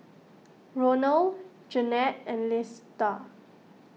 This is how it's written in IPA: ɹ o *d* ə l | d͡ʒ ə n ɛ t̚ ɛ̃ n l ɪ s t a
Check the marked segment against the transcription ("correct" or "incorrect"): incorrect